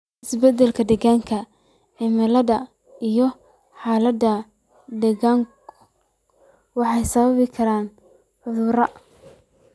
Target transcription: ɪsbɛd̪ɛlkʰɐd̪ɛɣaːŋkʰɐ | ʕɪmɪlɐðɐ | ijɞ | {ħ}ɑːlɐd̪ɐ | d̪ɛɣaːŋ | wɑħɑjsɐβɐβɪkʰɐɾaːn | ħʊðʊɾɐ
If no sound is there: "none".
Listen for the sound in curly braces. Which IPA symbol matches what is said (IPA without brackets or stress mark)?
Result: ħ